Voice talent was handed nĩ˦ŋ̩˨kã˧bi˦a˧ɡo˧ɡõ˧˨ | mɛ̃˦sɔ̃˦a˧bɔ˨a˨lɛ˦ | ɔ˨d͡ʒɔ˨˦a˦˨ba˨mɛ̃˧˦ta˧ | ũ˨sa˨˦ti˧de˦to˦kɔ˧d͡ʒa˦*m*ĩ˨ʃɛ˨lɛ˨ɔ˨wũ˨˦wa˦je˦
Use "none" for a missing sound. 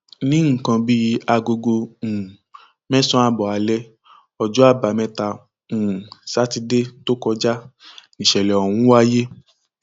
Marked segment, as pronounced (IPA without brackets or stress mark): n